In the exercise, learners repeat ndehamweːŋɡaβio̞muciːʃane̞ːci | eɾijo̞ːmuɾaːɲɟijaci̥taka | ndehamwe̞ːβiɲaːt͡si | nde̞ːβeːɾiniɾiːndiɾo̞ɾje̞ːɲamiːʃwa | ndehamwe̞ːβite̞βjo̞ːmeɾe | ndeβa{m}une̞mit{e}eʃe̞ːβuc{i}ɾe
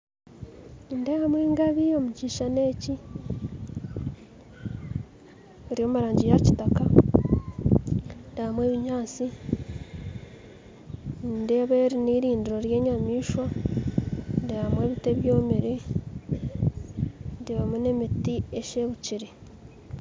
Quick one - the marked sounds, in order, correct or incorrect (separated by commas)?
correct, incorrect, correct